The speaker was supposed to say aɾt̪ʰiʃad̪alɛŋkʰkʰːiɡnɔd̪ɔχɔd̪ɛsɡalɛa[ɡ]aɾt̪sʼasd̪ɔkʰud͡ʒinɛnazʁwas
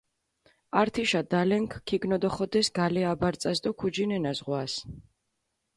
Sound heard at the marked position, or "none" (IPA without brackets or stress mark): b